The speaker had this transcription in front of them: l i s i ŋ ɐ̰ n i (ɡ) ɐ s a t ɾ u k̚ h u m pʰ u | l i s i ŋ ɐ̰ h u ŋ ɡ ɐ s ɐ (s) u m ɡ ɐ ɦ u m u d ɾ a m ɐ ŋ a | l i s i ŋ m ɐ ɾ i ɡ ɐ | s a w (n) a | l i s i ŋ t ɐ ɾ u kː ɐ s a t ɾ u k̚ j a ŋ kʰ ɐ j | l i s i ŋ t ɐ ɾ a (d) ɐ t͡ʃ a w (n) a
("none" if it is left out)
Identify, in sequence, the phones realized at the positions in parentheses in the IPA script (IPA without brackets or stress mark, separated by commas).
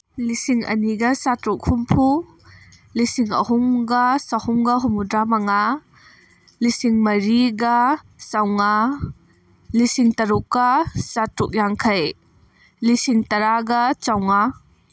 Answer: ɡ, h, ŋ, ɡ, ŋ